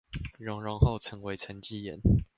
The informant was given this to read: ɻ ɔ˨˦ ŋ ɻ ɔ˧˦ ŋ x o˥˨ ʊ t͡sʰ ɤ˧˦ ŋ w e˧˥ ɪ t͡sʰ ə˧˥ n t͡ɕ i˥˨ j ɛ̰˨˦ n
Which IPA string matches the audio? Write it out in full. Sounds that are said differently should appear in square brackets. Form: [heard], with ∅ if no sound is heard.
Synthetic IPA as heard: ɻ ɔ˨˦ ŋ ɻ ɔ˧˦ ŋ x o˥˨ ʊ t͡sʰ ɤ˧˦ ŋ w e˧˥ ɪ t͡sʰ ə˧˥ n t͡ɕ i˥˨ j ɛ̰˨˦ n